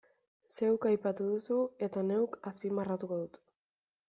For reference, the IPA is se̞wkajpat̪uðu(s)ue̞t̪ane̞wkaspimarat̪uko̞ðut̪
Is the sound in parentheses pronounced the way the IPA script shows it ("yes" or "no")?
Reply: yes